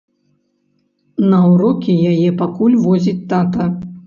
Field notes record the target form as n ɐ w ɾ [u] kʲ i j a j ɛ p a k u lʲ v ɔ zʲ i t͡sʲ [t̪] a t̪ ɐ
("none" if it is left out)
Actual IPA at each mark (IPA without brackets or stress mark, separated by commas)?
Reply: ɔ, t̪